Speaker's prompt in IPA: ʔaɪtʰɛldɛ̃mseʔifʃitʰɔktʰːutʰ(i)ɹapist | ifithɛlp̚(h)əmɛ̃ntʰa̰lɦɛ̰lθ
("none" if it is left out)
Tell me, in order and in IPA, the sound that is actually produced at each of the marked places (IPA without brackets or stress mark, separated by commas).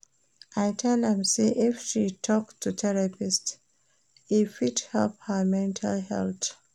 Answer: ɛ, h